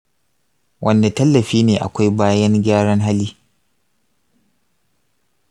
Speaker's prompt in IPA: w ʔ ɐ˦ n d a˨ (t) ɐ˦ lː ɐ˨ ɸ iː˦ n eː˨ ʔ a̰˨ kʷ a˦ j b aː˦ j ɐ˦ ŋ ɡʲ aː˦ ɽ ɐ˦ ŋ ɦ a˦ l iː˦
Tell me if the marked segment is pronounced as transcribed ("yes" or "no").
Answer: yes